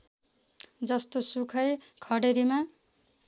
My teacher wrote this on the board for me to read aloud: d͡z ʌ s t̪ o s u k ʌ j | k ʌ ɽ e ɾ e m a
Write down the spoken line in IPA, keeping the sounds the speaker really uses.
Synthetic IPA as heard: d͡z ʌ s t̪ o s u kʰ ʌ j | kʰ ʌ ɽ e ɾ i m a